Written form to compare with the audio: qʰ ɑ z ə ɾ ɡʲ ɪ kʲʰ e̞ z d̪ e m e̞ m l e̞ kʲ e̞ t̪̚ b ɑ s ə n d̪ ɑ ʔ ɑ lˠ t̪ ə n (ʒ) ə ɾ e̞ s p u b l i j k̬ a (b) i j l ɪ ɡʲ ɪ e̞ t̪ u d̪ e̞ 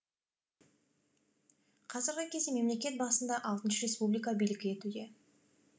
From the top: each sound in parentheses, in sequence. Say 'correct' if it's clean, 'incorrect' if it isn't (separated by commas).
incorrect, correct